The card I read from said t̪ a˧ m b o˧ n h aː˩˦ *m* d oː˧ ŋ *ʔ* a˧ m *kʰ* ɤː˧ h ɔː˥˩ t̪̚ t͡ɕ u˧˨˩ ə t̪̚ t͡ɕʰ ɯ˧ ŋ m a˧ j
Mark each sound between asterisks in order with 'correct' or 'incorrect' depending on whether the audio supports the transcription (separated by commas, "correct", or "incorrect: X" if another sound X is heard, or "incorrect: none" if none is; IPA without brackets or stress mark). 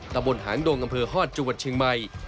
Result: incorrect: ŋ, correct, incorrect: pʰ